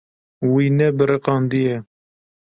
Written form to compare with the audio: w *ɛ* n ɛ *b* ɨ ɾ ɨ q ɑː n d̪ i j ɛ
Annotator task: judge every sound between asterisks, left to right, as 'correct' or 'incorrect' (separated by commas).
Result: incorrect, correct